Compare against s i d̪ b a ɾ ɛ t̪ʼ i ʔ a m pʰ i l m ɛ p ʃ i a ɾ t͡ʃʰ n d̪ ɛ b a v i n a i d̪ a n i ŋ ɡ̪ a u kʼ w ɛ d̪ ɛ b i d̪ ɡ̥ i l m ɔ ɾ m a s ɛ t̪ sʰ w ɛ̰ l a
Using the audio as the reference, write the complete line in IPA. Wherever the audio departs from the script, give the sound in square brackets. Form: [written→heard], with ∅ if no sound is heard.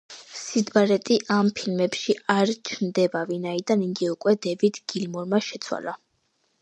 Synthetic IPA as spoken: s i d̪ b a ɾ ɛ t̪ʼ i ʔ a m pʰ i l m ɛ p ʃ i a ɾ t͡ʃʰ n d̪ ɛ b a v i n a i d̪ a n i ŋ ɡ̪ [a→i] u kʼ w ɛ d̪ ɛ [b→v] i d̪ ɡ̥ i l m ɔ ɾ m a [s→ʃ] ɛ t̪ sʰ w [ɛ̰→a̰] l a